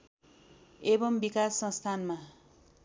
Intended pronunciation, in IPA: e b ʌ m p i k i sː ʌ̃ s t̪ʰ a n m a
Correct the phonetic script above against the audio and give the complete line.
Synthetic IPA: e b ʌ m b i k a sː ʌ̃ s t̪ʰ a n m a